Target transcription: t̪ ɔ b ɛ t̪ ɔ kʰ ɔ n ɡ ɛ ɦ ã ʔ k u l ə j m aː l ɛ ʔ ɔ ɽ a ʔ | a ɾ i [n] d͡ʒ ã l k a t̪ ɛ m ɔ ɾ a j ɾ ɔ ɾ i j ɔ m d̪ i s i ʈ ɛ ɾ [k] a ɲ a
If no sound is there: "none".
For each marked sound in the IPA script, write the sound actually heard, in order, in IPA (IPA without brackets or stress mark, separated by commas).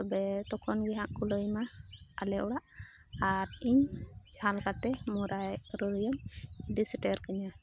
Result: ɲ, k